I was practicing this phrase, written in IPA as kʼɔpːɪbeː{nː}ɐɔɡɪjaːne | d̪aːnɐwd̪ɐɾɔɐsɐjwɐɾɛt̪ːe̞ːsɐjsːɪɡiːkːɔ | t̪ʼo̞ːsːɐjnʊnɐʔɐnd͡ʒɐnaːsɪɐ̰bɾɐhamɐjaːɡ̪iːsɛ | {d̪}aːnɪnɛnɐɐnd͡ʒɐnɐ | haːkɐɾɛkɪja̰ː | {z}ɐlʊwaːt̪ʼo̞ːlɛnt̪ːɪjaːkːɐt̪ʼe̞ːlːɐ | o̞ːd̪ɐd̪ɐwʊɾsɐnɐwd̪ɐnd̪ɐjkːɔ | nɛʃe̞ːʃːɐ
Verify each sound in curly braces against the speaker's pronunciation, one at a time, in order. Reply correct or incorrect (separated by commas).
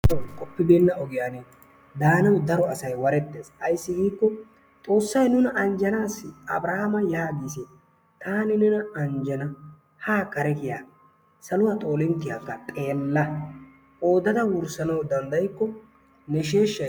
correct, incorrect, incorrect